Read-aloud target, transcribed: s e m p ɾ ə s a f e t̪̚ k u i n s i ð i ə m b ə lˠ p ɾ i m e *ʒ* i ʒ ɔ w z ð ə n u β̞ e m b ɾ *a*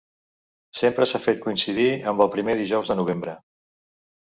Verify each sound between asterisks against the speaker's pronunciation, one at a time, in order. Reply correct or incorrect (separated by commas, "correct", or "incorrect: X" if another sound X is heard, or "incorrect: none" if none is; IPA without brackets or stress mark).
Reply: incorrect: ð, incorrect: ə